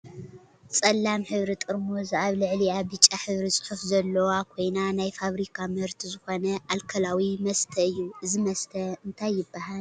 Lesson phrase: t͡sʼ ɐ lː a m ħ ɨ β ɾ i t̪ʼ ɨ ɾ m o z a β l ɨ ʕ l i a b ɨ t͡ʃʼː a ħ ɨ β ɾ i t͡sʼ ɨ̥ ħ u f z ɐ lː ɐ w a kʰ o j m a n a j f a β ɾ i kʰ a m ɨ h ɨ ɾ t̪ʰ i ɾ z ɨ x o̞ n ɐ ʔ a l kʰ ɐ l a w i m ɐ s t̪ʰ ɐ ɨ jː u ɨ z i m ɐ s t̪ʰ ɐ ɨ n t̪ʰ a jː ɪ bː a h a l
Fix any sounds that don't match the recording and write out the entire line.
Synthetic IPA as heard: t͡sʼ ɐ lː a m ħ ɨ β ɾ i t̪ʼ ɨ ɾ m o z a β l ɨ ʕ l i a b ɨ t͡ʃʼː a ħ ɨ β ɾ i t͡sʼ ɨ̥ ħ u f z ɐ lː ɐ w a kʰ o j n a n a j f a β ɾ i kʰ a m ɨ h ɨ ɾ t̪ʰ i z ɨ x o̞ n ɐ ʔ a l kʰ ɐ l a w i m ɐ s t̪ʰ ɐ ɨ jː u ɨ z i m ɐ s t̪ʰ ɐ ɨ n t̪ʰ a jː ɪ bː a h a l

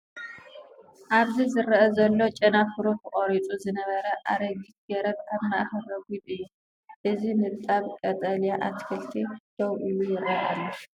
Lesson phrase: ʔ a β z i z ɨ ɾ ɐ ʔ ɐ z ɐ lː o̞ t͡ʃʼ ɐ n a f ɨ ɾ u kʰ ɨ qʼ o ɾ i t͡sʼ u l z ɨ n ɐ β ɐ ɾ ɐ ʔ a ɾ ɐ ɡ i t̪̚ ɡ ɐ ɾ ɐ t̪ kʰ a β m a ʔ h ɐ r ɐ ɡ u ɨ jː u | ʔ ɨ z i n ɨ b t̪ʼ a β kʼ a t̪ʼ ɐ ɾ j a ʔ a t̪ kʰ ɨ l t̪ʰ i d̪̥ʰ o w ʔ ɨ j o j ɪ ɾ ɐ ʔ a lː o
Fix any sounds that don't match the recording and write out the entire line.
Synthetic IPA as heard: ʔ a β z i z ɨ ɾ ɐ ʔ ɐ z ɐ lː o̞ t͡ʃʼ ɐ n a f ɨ ɾ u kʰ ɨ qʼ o ɾ i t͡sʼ u z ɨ n ɐ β ɐ ɾ ɐ ʔ a ɾ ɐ ɡ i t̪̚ ɡ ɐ ɾ ɐ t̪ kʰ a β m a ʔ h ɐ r ɐ ɡ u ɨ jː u | ʔ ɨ z i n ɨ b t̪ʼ a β kʼ ɐ t̪ʼ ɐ l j a ʔ a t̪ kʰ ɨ l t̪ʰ i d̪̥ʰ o w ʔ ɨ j u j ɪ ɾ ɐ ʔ a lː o

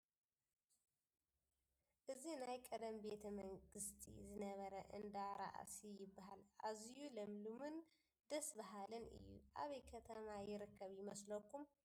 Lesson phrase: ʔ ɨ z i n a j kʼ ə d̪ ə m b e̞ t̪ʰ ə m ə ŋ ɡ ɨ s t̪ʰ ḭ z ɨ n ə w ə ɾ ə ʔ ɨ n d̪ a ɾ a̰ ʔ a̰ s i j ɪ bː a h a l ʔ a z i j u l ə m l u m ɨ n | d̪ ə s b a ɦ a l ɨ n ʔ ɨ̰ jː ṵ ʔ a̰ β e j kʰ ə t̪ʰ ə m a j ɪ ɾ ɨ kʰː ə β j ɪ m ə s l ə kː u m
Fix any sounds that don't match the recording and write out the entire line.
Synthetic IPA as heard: ʔ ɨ z i n a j kʼ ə d̪ ə m b e̞ t̪ʰ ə m ə ŋ ɡ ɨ s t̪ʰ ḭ z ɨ n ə β ə ɾ ə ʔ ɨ n d̪ a ɾ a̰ ʔ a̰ s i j ɪ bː a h a l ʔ a z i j u l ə m l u m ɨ n | d̪ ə s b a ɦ a l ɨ n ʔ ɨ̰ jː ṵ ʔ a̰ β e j kʰ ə t̪ʰ ə m a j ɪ ɾ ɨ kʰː ə β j ɪ m ə s l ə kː u m

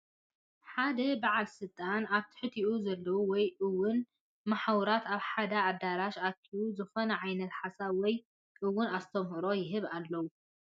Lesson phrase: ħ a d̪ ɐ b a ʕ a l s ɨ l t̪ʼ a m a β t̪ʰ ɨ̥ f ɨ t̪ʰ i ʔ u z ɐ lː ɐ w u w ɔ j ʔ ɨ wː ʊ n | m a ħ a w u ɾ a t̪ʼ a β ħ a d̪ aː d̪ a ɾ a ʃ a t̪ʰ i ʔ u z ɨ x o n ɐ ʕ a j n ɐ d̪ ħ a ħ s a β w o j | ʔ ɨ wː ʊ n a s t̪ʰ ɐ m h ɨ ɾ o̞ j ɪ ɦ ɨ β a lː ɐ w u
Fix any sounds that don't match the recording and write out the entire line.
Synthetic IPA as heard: ħ a d̪ ɐ b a ʕ a l s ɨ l t̪ʼ a n a β t̪ʰ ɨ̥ ħ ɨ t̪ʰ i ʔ u z ɐ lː ɐ w u w ɔ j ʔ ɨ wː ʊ n | m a ħ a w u ɾ a t̪ a β ħ a d̪ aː d̪ a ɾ a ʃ a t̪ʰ i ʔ u z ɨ x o n ɐ ʕ a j n ɐ t̪ ħ a s a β w ɔ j | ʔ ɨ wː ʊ n a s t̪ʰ ɐ m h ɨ ɾ o̞ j ɪ ɦ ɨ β a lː ɐ w u

